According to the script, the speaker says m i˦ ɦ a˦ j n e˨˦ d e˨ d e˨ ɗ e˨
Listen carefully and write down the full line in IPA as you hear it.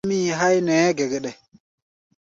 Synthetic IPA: m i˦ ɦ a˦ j n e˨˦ ɡ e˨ ɡ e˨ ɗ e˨